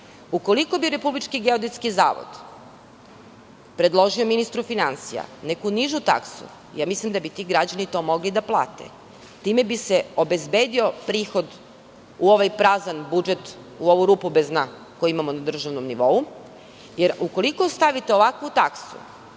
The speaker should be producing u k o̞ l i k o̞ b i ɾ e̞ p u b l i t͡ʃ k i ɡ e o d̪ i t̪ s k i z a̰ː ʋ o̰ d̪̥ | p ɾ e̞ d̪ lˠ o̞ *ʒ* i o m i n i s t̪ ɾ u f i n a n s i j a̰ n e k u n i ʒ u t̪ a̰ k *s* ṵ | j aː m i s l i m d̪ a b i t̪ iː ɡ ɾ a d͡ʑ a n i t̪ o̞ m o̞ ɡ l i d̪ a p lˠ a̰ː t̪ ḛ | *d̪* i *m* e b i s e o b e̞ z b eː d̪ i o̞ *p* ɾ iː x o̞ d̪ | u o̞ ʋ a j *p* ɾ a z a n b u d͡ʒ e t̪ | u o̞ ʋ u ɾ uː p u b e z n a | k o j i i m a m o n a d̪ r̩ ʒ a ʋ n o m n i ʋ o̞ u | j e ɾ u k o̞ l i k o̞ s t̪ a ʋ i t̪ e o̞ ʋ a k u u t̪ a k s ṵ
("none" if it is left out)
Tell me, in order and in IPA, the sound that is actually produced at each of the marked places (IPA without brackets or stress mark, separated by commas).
ʒ, s, t̪, m, p, p